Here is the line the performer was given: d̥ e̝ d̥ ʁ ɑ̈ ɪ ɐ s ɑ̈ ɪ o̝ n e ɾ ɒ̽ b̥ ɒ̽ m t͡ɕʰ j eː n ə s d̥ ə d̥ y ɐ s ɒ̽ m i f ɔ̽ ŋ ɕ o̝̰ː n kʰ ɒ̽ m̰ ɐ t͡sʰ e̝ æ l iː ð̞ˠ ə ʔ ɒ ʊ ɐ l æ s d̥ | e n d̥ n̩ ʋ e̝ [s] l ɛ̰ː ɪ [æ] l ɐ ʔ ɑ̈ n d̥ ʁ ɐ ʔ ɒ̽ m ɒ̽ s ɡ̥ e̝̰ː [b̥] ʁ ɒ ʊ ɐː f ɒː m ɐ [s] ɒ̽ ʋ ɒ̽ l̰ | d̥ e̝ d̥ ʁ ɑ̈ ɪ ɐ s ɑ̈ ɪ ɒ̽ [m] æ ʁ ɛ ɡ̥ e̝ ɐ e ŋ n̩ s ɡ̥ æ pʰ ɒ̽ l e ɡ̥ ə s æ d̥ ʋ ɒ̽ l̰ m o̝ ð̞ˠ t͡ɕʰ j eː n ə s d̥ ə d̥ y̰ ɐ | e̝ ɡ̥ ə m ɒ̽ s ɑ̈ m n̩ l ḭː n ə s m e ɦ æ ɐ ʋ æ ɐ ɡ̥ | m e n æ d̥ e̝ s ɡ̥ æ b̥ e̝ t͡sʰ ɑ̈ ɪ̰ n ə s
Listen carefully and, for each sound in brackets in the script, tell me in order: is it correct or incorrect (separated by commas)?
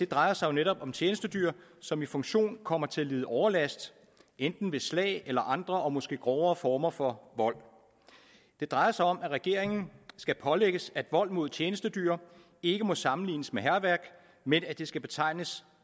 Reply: correct, incorrect, incorrect, incorrect, correct